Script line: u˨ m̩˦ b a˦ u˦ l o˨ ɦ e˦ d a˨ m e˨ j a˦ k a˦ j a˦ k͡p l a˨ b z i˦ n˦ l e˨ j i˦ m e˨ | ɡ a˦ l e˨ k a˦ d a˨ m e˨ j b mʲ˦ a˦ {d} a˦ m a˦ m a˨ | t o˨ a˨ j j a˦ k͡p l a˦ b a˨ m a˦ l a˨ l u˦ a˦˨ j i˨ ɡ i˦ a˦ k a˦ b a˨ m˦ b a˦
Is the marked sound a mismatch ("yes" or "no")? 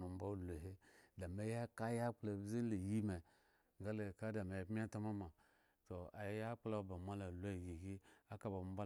yes